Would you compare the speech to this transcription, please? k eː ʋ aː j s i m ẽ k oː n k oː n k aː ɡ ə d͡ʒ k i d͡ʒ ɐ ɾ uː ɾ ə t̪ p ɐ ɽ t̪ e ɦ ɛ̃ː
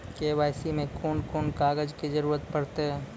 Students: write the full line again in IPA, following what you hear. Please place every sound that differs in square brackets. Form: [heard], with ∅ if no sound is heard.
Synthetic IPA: k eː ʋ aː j s i m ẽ k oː n k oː n k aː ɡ ə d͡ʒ k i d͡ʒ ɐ ɾ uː ɾ ə t̪ p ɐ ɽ t̪ e ɦ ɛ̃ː

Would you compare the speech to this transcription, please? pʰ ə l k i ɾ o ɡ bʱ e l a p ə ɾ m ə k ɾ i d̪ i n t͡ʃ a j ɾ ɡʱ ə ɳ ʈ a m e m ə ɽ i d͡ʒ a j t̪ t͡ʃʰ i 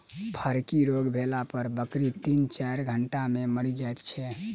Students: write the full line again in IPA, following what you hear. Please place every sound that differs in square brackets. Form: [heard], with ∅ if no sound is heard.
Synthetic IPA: pʰ ə [ɾ] k i ɾ o ɡ bʱ e l a p ə ɾ [b] ə k ɾ i [t̪] i n t͡ʃ a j ɾ ɡʱ ə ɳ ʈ a m e m ə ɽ i d͡ʒ a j t̪ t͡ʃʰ [ɛ]

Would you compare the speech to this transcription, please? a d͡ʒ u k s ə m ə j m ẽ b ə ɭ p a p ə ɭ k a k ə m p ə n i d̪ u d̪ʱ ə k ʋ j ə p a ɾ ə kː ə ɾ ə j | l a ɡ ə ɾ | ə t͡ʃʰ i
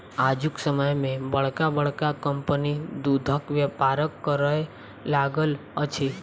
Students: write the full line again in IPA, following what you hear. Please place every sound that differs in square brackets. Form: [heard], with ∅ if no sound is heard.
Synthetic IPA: a d͡ʒ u k s ə m ə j m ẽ b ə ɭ [k] a [b] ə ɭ k a k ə m p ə n i d̪ u d̪ʱ ə k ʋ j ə p a ɾ ə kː ə ɾ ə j | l a ɡ ə [l] | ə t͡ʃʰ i

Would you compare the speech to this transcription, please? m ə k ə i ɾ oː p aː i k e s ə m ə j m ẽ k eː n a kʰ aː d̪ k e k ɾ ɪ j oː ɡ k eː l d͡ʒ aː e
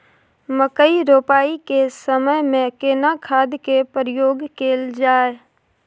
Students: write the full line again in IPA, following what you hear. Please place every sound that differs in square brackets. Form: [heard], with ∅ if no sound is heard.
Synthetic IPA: m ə k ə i ɾ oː p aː i k e s ə m ə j m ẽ k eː n a kʰ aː d̪ k e [p] ɾ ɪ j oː ɡ k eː l d͡ʒ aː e

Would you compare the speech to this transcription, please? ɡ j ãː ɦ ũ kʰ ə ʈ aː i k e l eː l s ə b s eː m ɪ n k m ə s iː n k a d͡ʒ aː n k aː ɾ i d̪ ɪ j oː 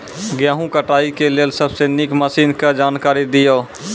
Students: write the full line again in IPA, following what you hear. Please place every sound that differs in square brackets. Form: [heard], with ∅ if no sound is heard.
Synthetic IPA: ɡ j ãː ɦ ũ [k] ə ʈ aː i k e l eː l s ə b s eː [n] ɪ [∅] k m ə s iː n k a d͡ʒ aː n k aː ɾ i d̪ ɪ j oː

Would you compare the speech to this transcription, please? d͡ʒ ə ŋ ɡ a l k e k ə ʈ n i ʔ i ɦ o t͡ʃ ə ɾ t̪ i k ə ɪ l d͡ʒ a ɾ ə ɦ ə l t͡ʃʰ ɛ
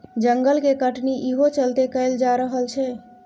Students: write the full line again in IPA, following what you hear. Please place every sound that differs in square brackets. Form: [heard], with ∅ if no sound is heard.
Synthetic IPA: d͡ʒ ə ŋ ɡ [ə] l k e k ə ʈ n i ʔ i ɦ o t͡ʃ ə [l] t̪ [e] k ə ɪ l d͡ʒ a ɾ ə ɦ ə l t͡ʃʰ ɛ

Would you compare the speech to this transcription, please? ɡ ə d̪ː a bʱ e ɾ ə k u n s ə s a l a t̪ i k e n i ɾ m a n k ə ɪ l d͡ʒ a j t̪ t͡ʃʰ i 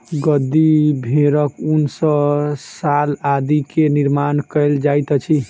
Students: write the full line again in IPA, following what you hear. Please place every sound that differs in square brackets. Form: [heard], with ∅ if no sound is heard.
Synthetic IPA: ɡ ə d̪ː [i] bʱ e ɾ ə k u n s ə s a l a [d̪] i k e n i ɾ m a n k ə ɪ l d͡ʒ a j t̪ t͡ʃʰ i

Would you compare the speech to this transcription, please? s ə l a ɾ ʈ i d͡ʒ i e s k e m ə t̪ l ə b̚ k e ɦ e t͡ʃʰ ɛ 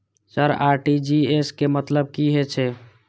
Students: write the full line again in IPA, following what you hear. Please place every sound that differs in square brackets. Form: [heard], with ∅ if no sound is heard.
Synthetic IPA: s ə [ɾ] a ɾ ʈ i d͡ʒ i e s k e m ə t̪ l ə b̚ k [i] ɦ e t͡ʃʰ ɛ

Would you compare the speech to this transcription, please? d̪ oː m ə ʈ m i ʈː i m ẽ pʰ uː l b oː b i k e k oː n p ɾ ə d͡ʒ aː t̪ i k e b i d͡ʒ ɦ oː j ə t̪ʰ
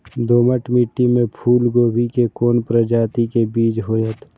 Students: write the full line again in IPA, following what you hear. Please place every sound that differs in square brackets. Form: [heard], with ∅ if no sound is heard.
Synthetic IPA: d̪ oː m ə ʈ m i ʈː i m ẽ pʰ uː l [ɡ] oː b i k e k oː n p ɾ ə d͡ʒ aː t̪ i k e b [iː] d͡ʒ ɦ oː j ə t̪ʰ

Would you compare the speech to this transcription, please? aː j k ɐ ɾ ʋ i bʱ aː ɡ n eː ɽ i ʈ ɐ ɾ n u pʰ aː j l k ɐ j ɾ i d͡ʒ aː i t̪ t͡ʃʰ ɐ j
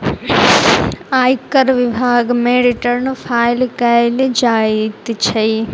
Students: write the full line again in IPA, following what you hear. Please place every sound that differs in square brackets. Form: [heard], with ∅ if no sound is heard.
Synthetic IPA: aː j k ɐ ɾ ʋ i bʱ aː ɡ [m] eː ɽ i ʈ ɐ ɾ n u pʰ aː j l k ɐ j [l] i d͡ʒ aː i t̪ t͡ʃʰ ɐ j

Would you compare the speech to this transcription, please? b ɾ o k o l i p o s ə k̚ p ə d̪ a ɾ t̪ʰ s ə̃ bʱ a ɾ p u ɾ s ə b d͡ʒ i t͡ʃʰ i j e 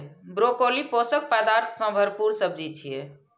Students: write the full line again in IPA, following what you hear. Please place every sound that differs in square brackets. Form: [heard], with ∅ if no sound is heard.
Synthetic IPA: b ɾ o k o l i p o s ə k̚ p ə d̪ a ɾ t̪ʰ s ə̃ bʱ [ə] ɾ p u ɾ s ə b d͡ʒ i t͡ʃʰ i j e

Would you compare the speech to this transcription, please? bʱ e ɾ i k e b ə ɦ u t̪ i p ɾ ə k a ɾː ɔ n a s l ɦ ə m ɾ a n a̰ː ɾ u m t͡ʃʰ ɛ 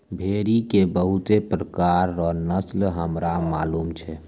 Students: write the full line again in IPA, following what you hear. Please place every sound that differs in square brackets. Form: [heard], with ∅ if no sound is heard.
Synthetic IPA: bʱ e ɾ i k e b ə ɦ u t̪ [e] p ɾ ə k a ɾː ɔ n [ə] s l ɦ ə m ɾ a [m] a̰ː [l] u m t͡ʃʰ ɛ

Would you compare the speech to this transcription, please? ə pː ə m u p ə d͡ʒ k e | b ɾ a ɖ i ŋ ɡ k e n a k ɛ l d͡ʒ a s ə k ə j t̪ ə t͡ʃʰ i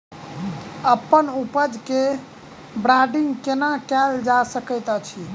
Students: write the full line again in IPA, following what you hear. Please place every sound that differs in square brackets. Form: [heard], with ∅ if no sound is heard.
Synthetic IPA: ə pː ə [n] u p ə d͡ʒ k e | b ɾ a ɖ i ŋ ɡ k e n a k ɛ l d͡ʒ a s ə k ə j t̪ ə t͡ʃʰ i

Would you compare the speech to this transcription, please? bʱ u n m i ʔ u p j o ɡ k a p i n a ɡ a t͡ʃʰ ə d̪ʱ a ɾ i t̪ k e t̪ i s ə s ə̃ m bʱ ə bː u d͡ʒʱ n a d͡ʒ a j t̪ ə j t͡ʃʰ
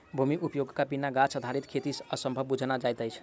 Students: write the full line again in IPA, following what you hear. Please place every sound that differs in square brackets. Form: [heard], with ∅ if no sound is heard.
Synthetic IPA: bʱ u [∅] m i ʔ u p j o ɡ k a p i n a ɡ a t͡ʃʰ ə d̪ʱ a ɾ i t̪ [kʰ] e t̪ i s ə s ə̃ m bʱ ə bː u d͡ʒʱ n a d͡ʒ a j t̪ ə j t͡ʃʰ

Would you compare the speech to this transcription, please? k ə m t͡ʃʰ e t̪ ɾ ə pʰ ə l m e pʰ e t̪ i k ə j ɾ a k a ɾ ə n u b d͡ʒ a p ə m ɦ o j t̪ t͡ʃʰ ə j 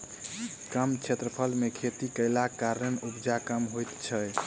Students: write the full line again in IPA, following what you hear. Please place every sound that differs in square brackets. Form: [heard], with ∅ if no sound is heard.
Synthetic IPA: k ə m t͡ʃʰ e t̪ ɾ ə pʰ ə l m e [kʰ] e t̪ i k ə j [l] a k a ɾ ə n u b d͡ʒ a [k] ə m ɦ o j t̪ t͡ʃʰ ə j

